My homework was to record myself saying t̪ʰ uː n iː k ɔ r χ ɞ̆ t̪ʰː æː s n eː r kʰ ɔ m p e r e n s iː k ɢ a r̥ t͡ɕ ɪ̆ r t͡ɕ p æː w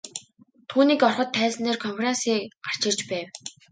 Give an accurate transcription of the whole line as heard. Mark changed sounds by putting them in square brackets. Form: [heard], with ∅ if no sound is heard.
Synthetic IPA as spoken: t̪ʰ uː n iː k ɔ r χ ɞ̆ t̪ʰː æː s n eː r kʰ ɔ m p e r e n s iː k ɢ a r̥ t͡ɕ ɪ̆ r t͡ɕ p æː w